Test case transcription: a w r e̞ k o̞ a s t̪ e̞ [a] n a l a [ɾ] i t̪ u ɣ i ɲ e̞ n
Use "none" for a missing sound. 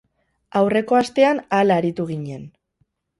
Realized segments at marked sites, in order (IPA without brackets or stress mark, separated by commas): a, ɾ